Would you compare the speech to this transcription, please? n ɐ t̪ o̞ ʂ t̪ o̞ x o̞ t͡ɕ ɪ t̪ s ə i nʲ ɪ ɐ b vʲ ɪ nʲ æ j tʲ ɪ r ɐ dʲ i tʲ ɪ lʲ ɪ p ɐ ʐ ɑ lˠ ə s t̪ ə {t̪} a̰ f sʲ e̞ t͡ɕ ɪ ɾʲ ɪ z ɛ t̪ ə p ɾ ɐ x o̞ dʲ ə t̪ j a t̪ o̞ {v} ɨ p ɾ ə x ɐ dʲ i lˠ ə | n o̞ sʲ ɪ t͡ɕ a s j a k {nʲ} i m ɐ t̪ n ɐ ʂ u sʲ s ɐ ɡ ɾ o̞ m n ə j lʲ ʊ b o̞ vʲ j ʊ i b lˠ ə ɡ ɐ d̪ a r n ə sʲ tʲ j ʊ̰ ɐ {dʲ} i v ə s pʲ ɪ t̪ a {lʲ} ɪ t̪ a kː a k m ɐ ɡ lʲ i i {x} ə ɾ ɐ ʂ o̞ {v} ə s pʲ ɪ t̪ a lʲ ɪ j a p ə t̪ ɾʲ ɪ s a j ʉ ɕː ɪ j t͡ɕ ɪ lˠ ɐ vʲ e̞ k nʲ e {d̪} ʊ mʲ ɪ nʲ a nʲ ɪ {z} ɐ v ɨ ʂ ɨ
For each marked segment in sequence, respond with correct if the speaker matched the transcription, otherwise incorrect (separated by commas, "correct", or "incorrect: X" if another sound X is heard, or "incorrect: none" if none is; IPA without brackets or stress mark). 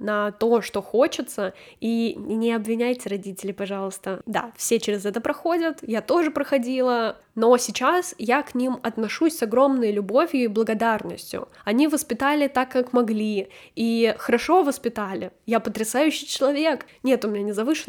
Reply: incorrect: d̪, incorrect: ʐ, correct, incorrect: nʲ, correct, correct, correct, incorrect: t̪, correct